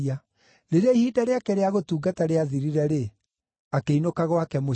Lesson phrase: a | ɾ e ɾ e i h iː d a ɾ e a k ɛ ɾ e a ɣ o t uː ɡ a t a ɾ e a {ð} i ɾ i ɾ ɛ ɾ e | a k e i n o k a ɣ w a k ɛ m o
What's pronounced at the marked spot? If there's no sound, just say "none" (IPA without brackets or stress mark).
ð